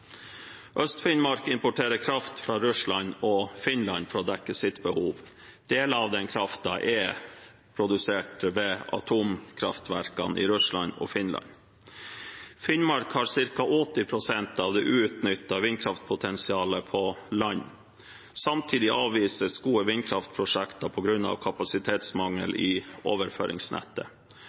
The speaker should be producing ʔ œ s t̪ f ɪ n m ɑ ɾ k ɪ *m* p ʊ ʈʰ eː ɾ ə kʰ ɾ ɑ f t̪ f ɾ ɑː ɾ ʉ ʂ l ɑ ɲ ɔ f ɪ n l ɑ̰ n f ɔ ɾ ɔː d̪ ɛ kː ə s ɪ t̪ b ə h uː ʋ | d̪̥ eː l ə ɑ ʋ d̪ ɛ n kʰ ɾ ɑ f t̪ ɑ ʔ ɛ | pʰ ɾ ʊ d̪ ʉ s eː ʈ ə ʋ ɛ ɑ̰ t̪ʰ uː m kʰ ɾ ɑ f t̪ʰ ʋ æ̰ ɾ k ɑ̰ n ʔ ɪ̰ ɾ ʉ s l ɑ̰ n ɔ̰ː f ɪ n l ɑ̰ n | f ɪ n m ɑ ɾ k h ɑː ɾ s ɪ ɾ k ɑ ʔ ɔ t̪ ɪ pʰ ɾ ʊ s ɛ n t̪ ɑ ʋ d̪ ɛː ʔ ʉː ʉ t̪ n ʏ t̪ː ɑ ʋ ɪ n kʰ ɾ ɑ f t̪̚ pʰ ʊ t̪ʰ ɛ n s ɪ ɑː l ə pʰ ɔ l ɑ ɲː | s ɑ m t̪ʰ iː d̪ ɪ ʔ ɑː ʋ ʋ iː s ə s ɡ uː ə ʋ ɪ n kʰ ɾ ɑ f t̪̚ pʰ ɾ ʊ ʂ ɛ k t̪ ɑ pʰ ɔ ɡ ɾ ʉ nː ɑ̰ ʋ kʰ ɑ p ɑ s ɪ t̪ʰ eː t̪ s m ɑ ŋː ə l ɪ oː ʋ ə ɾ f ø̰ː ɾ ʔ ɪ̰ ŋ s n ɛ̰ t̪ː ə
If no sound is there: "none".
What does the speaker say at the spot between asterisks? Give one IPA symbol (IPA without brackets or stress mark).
m